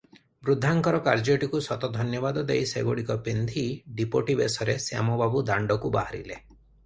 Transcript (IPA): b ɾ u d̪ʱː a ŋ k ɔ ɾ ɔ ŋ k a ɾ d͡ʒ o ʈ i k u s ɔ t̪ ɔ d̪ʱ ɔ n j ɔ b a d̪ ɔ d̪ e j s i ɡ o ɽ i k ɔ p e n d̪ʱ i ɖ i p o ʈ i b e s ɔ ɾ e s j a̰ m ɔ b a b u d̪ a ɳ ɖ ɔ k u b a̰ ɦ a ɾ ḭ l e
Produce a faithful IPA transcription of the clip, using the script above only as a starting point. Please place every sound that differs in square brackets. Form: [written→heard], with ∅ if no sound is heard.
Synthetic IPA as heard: b ɾ u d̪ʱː a ŋ k ɔ ɾ ɔ [ŋ→∅] k a ɾ d͡ʒ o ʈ i k u s ɔ t̪ ɔ d̪ʱ ɔ n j ɔ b a d̪ ɔ d̪ e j s [i→e] ɡ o ɽ i k ɔ p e n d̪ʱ i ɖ i p o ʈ i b e s ɔ ɾ e s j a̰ m ɔ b a b u d̪ a ɳ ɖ ɔ k u b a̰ ɦ a ɾ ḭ l e